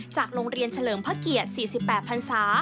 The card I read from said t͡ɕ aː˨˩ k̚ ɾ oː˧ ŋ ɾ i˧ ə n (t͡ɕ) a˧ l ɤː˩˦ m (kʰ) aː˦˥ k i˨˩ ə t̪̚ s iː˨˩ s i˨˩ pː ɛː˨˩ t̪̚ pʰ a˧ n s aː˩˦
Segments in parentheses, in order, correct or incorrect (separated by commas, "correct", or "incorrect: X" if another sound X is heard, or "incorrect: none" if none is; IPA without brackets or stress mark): incorrect: t͡ɕʰ, incorrect: pʰ